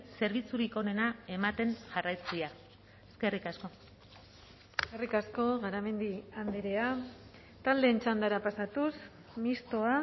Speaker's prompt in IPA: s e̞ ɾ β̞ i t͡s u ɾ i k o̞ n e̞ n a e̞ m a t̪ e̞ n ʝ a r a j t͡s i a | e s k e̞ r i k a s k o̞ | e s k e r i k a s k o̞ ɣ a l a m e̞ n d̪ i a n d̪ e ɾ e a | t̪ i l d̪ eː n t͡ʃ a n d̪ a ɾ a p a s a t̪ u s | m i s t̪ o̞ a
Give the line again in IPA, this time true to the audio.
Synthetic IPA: s e̞ ɾ β̞ i t͡s u ɾ i k o̞ n e̞ n a e̞ m a t̪ e̞ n ʝ a r a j t͡s i a | e s k e̞ r i k a s k o̞ | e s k e r i k a s k o̞ ɣ a ɾ a m e̞ n d̪ i a n d̪ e ɾ e a | t̪ a l d̪ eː n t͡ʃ a n d̪ a ɾ a p a s a t̪ u s | m i s t̪ o̞ a